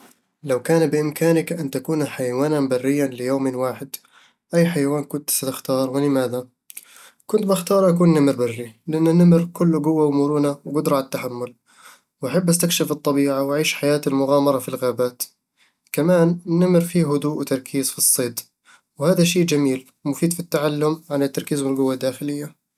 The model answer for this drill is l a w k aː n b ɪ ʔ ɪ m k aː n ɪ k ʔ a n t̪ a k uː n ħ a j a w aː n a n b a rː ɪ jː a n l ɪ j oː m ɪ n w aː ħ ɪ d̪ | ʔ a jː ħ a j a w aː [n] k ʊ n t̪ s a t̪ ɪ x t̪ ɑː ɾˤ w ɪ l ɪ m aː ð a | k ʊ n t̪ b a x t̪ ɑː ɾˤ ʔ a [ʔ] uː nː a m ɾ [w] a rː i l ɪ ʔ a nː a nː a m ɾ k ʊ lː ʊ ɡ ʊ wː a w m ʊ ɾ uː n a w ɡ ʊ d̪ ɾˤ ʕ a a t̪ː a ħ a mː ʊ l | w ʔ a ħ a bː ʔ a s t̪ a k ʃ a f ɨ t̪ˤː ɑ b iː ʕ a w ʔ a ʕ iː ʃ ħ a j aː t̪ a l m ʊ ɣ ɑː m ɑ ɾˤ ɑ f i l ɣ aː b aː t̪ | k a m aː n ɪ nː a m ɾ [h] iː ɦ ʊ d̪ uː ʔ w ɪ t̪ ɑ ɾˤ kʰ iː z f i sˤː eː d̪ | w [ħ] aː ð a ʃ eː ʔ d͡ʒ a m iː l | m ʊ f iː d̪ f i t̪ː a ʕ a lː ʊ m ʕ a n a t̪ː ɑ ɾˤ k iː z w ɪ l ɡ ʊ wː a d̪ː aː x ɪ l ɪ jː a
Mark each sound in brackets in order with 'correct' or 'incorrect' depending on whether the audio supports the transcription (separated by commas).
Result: correct, incorrect, incorrect, incorrect, incorrect